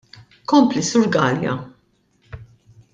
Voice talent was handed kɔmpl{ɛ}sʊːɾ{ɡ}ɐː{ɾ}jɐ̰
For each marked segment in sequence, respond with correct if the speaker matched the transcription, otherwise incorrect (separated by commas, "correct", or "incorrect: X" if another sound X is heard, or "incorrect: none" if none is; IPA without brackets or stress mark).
incorrect: i, correct, incorrect: l